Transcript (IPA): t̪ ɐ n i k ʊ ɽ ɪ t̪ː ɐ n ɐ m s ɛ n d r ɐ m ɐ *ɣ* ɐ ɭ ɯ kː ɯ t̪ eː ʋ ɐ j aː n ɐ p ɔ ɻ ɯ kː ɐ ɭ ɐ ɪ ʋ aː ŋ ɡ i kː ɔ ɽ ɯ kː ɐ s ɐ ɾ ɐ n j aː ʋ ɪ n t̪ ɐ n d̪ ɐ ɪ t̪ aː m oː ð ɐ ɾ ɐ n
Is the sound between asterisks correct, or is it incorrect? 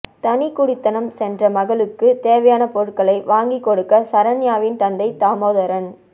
correct